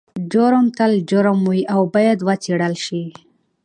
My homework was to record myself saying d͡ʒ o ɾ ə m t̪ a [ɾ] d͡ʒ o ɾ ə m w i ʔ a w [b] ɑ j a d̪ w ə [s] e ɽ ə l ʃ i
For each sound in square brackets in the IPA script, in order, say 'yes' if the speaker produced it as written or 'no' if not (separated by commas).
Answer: no, yes, no